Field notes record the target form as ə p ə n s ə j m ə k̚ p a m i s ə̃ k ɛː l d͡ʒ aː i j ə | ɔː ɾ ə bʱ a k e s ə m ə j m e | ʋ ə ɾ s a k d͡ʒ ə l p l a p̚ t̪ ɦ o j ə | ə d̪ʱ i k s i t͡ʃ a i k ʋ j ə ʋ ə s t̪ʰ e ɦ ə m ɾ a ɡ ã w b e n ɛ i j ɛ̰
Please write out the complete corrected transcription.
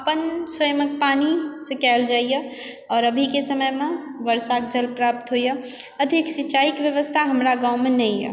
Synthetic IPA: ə p ə n s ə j m ə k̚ p a n i s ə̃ k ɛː l d͡ʒ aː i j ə | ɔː ɾ ə bʱ i k e s ə m ə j m e | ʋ ə ɾ s a k d͡ʒ ə l p ɾ a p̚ t̪ ɦ o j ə | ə d̪ʱ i k s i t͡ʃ a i k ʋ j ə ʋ ə s t̪ʰ a ɦ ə m ɾ a ɡ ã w m e n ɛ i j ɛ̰

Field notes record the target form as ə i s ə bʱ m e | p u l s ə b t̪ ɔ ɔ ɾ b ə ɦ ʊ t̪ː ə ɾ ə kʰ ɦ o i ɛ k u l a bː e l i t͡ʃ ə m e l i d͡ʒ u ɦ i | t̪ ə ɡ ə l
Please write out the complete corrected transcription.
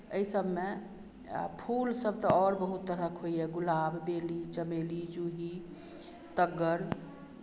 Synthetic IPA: ə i s ə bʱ m e | pʰ u l s ə b t̪ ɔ ɔ ɾ b ə ɦ u t̪ː ə ɾ ə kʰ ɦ o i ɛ ɡ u l a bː e l i t͡ʃ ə m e l i d͡ʒ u ɦ i | t̪ ə ɡ ə ɾ

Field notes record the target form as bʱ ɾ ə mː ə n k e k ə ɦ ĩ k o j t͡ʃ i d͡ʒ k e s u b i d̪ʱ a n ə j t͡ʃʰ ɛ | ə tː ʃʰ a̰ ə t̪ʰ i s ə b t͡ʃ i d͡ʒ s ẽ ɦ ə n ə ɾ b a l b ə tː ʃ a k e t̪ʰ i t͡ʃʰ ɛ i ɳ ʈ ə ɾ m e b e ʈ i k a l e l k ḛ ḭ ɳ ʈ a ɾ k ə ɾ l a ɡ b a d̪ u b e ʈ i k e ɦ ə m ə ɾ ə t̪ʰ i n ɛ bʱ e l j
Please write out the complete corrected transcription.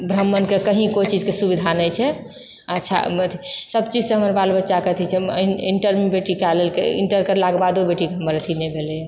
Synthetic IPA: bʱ ɾ ə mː ə n k e k ə ɦ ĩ k o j t͡ʃ i d͡ʒ k e s u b i d̪ʱ a n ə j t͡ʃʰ ɛ | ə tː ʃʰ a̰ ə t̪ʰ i s ə b t͡ʃ i d͡ʒ s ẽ ɦ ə m ə ɾ b a l b ə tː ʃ a k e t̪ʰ i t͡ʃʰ ɛ i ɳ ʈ ə ɾ m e b e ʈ i k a l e l k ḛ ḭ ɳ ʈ ə ɾ k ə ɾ l a ɡ b a d̪ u b e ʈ i k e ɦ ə m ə ɾ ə t̪ʰ i n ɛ bʱ e l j

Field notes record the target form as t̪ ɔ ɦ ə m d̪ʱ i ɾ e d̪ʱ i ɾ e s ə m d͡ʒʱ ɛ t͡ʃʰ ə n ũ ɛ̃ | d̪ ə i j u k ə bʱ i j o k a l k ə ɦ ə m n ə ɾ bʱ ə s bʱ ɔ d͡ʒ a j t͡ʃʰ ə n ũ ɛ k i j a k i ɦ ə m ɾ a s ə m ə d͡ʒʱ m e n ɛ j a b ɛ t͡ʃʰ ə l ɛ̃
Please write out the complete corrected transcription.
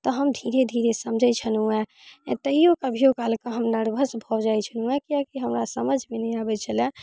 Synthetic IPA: t̪ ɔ ɦ ə m d̪ʱ i ɾ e d̪ʱ i ɾ e s ə m d͡ʒʱ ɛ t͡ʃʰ ə n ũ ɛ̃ | t̪ ə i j o k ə bʱ i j o k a l k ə ɦ ə m n ə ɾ bʱ ə s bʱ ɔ d͡ʒ a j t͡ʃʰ ə n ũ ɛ k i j a k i ɦ ə m ɾ a s ə m ə d͡ʒʱ m e n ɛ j a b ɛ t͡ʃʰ ə l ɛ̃

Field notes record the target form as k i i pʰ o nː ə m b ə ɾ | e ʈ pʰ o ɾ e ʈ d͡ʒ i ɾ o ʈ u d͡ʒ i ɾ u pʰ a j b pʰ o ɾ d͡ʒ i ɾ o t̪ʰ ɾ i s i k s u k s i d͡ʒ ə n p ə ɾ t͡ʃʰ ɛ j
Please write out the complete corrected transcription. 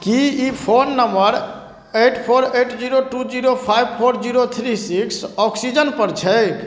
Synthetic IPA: k i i pʰ o nː ə m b ə ɾ | e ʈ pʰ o ɾ e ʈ d͡ʒ i ɾ o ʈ u d͡ʒ i ɾ o pʰ a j b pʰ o ɾ d͡ʒ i ɾ o t̪ʰ ɾ i s i k s ɔ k s i d͡ʒ ə n p ə ɾ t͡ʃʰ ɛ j

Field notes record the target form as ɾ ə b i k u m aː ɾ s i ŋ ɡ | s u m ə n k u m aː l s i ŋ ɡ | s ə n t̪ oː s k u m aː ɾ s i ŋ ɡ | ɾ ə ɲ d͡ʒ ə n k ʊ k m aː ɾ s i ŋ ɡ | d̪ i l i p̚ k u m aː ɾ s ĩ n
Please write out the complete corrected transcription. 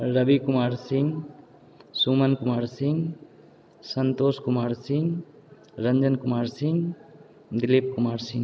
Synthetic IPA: ɾ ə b i k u m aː ɾ s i ŋ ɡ | s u m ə n k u m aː ɾ s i ŋ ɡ | s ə n t̪ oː s k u m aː ɾ s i ŋ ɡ | ɾ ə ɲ d͡ʒ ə n k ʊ m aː ɾ s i ŋ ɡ | d̪ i l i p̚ k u m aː ɾ s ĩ ŋ

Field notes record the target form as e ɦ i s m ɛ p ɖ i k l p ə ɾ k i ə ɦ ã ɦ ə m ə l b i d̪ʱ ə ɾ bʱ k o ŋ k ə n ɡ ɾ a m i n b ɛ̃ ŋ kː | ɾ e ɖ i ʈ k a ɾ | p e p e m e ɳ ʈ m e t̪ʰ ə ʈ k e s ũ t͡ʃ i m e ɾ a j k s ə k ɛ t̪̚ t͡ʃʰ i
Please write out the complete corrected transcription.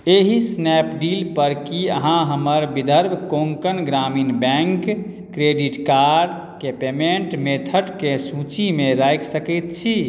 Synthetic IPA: e ɦ i s n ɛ p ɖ i l p ə ɾ k i ə ɦ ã ɦ ə m ə ɾ b i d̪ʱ ə ɾ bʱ k o ŋ k ə n ɡ ɾ a m i n b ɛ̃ ŋ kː | ɾ e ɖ i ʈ k a ɾ | k e p e m e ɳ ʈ m e t̪ʰ ə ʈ k e s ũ t͡ʃ i m e ɾ a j k s ə k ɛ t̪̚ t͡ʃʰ i

